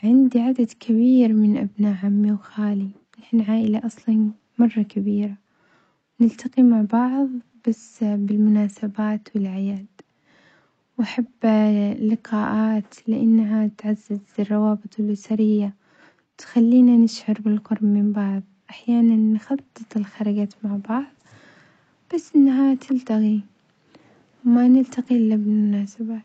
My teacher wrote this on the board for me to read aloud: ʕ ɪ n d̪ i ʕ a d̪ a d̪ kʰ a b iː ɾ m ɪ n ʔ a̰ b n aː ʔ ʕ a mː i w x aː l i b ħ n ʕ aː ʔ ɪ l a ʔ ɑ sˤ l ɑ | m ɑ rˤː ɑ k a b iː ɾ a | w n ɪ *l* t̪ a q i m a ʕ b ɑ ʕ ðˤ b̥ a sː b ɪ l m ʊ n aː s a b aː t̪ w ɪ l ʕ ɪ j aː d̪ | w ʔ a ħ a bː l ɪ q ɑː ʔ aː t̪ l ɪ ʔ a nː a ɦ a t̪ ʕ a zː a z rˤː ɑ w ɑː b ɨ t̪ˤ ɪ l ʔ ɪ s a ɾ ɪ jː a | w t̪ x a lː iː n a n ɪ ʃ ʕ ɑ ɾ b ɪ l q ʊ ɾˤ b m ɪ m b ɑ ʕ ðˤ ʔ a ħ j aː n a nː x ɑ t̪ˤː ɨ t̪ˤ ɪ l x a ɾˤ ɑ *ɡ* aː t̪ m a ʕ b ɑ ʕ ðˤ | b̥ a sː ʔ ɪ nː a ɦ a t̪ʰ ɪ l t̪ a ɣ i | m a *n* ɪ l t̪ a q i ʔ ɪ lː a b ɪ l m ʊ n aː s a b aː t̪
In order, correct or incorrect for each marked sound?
correct, correct, correct

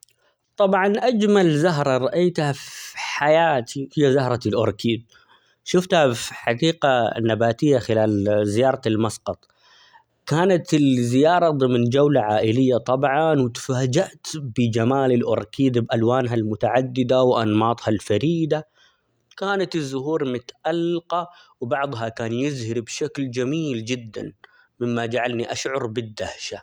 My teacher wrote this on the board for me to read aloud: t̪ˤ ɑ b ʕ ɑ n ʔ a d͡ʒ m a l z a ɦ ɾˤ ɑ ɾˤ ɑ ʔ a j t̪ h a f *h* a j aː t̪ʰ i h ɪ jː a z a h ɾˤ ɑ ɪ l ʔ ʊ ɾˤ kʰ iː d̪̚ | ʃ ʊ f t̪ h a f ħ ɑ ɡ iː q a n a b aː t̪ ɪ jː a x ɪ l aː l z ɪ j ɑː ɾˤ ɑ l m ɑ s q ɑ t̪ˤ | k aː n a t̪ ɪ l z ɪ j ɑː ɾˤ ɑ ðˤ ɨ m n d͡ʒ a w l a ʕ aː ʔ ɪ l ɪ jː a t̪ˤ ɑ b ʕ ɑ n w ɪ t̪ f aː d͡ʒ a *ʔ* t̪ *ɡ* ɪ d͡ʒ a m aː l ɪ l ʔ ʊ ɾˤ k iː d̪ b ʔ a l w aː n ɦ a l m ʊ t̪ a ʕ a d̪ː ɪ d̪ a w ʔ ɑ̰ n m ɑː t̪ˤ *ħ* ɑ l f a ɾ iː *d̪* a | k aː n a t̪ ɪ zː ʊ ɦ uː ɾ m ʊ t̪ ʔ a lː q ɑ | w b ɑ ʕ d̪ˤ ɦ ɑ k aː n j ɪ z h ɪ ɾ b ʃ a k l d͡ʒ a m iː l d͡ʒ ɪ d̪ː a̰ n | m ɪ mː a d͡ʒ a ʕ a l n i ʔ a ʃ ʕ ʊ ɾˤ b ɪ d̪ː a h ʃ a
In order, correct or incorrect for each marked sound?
incorrect, correct, incorrect, incorrect, correct

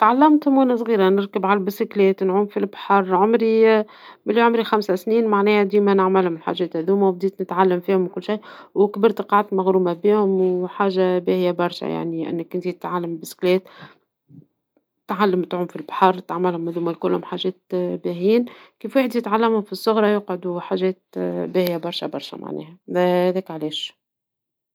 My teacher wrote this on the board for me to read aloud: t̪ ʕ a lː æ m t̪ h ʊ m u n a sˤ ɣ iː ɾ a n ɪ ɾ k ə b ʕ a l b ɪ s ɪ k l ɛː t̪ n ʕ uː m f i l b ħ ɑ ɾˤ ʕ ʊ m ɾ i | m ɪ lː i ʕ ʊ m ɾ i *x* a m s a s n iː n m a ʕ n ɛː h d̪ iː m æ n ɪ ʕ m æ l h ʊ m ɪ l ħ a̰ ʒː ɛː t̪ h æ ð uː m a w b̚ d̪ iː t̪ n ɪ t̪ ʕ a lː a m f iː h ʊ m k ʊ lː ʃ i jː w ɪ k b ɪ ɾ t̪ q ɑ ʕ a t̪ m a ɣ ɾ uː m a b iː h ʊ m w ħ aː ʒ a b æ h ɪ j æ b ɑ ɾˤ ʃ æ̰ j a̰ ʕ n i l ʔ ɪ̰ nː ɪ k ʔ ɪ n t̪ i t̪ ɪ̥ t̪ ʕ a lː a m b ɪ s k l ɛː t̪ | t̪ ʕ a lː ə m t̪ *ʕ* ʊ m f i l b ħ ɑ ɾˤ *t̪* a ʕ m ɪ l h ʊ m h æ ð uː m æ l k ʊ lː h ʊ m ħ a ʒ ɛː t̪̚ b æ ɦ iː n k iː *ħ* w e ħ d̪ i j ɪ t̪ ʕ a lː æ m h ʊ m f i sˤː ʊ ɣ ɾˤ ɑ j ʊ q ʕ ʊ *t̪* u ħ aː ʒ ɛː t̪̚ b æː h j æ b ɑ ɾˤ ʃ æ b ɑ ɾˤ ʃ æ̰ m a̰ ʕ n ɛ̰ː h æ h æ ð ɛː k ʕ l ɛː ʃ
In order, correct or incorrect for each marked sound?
correct, correct, correct, incorrect, incorrect

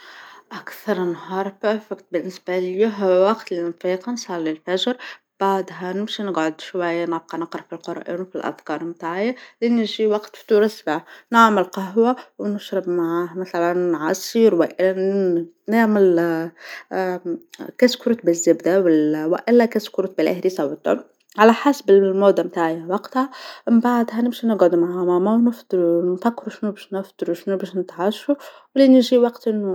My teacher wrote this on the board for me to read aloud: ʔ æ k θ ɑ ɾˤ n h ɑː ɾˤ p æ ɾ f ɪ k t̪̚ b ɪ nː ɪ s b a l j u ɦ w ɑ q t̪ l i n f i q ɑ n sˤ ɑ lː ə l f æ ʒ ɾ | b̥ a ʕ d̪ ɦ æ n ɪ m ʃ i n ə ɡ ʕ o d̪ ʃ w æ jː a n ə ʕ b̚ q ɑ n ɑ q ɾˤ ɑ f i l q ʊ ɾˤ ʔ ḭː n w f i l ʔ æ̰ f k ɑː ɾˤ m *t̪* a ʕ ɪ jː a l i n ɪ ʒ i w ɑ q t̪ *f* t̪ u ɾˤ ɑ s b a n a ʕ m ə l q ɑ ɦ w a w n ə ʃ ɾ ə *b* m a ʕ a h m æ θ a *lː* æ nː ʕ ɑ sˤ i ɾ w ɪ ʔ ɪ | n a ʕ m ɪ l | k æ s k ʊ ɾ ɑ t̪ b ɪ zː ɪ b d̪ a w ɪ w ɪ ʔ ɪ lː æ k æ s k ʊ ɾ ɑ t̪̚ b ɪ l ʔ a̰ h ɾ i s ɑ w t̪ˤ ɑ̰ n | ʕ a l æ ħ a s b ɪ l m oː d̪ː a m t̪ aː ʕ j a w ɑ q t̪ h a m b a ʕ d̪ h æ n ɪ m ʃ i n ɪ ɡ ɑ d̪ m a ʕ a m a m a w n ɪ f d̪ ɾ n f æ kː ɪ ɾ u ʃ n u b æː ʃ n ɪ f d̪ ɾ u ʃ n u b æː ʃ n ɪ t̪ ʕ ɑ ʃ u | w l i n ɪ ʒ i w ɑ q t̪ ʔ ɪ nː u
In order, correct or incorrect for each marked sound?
correct, correct, correct, incorrect

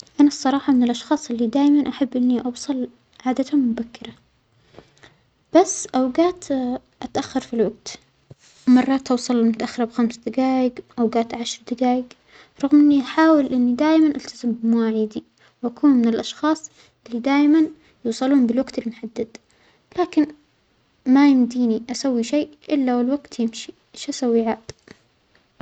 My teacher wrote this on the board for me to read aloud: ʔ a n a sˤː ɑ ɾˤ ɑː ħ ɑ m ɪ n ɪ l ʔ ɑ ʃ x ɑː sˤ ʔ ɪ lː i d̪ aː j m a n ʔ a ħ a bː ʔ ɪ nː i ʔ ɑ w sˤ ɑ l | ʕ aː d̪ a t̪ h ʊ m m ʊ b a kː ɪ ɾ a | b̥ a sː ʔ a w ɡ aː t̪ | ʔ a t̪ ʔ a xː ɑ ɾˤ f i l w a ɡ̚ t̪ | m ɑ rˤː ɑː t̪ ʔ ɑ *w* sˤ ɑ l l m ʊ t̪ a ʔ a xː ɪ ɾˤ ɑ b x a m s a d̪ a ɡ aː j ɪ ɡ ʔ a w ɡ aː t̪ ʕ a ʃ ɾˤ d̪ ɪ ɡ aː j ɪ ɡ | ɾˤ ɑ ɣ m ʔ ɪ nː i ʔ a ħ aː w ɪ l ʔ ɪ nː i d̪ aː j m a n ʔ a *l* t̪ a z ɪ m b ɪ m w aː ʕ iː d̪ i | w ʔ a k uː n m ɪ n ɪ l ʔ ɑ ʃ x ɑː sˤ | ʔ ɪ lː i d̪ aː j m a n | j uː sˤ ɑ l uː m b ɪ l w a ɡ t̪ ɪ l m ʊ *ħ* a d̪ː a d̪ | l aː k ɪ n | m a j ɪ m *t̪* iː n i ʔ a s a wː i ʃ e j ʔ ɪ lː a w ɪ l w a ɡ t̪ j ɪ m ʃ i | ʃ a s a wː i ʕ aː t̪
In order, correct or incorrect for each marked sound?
correct, correct, correct, incorrect

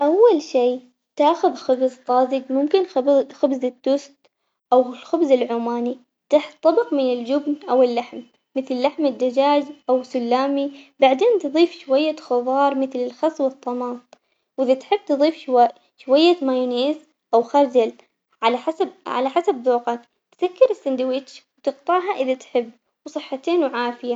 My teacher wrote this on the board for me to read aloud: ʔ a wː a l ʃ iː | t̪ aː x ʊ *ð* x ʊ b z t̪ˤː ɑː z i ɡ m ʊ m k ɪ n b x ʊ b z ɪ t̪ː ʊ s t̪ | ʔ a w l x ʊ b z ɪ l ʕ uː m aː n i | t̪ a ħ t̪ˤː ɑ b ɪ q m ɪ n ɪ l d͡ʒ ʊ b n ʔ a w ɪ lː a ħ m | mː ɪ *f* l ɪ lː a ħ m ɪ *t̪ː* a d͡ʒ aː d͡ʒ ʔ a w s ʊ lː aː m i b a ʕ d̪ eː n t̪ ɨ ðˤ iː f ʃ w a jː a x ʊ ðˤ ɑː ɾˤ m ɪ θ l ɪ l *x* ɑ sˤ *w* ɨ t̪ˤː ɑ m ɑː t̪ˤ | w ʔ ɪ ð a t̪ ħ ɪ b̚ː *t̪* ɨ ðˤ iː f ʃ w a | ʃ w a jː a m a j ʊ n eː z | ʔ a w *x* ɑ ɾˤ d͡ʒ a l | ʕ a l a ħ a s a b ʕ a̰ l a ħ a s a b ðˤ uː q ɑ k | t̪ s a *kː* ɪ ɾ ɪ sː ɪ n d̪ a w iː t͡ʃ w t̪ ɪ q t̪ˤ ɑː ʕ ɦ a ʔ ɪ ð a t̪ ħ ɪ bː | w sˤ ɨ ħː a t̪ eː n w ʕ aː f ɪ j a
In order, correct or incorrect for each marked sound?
correct, incorrect, incorrect, correct, correct, correct, correct, correct

